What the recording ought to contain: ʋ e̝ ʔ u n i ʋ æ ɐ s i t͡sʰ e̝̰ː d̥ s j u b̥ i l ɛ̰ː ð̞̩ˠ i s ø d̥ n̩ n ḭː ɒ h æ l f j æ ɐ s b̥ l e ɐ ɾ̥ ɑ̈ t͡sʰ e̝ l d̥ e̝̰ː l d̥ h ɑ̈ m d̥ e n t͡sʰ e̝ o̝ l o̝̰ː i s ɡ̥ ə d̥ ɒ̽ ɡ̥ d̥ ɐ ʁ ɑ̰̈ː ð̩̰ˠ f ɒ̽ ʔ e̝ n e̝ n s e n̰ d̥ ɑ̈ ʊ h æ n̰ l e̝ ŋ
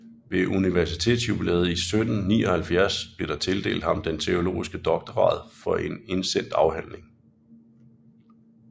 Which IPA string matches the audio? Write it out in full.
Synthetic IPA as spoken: ʋ e̝ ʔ u n i ʋ æ ɐ s i t͡sʰ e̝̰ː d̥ s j u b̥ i l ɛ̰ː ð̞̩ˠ i s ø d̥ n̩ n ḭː ɒ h æ l f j æ ɐ s b̥ l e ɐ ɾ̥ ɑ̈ t͡sʰ e̝ l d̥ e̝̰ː l d̥ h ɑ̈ m d̥ e n t͡sʰ e̝ o̝ l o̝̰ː i s ɡ̥ ə d̥ ɒ̽ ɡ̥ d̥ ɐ ʁ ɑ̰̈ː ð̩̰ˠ f ɒ̽ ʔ e̝ n e̝ n s e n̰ d̥ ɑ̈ ʊ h æ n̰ l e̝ ŋ